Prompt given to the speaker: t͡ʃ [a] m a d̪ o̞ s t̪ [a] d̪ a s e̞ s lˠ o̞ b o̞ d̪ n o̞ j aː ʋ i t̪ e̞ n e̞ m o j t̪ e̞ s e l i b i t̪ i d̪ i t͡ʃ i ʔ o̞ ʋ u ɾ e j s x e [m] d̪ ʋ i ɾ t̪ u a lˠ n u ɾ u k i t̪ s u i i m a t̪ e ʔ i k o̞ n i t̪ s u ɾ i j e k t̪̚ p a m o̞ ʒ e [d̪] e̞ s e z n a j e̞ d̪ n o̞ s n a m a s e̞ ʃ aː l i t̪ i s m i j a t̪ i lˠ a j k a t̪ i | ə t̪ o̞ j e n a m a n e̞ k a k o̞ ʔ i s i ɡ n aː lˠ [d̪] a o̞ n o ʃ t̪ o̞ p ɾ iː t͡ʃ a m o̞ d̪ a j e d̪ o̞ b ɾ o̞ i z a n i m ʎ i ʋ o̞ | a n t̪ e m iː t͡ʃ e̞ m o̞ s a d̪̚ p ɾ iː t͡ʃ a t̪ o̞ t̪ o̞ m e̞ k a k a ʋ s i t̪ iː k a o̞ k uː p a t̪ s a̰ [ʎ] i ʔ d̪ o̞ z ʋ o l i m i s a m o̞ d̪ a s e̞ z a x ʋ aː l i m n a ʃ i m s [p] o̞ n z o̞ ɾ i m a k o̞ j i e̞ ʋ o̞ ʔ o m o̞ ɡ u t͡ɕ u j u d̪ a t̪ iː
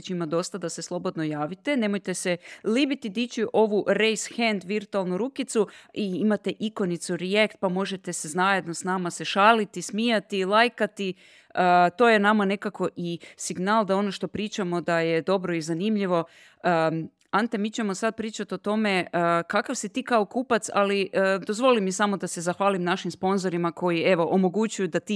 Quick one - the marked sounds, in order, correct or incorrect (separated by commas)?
incorrect, correct, incorrect, incorrect, correct, incorrect, correct